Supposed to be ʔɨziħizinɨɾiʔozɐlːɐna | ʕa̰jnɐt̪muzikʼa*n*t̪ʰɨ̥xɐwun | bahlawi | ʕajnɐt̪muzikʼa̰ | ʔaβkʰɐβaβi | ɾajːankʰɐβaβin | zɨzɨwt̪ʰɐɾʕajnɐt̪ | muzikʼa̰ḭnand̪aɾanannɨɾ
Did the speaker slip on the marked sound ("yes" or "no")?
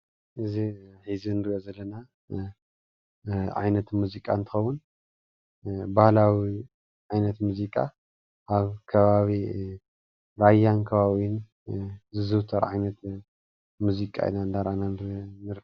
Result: no